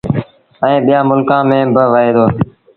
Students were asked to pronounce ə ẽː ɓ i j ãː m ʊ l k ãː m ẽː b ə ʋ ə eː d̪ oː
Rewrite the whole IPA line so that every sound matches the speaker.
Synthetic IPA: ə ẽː ɓ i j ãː m ʊ l k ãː m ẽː b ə ʋ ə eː d̪ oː